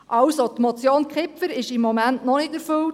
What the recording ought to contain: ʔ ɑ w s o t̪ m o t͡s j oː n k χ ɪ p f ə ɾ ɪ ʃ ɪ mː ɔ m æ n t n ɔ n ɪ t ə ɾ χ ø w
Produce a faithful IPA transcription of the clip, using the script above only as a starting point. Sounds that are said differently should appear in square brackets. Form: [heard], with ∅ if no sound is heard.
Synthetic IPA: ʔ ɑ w s o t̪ m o t͡s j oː n k χ ɪ p f ə ɾ ɪ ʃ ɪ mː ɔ m æ n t n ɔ n ɪ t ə ɾ [f] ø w